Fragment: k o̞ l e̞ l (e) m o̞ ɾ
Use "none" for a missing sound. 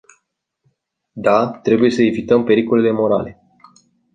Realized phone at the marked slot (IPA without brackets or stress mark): e